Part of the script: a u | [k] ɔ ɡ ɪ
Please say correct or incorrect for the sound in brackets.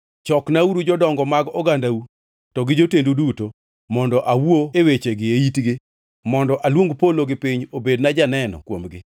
incorrect